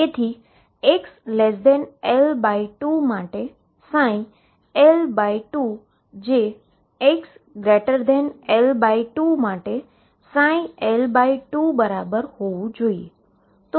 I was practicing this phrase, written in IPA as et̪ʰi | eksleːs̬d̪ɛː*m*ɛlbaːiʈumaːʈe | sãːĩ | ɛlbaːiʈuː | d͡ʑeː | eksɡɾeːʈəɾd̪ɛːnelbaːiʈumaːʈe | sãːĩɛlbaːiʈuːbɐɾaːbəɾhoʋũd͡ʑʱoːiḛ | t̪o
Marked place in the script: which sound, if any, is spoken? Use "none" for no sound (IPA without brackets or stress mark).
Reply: n